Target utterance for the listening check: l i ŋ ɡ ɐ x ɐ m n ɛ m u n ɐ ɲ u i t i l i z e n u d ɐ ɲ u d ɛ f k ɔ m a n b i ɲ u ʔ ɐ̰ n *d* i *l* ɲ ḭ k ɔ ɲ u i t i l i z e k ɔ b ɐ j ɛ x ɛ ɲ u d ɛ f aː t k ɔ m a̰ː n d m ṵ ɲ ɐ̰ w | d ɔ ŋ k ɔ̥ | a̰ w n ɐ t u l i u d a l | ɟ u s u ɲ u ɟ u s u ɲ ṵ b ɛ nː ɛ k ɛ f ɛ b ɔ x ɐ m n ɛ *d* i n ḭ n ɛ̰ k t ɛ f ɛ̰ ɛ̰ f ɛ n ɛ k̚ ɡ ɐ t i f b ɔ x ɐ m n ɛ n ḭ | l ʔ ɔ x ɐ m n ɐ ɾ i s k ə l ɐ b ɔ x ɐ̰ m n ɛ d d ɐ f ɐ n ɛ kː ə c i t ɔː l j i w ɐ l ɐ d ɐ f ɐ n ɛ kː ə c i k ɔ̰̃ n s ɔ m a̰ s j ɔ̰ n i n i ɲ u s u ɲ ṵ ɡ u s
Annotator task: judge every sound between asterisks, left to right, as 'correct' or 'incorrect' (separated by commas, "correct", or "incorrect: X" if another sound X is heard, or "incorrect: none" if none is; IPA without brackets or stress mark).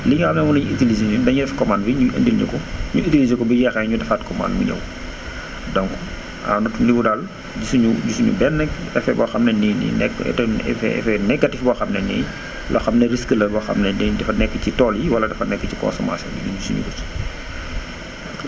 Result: correct, correct, incorrect: n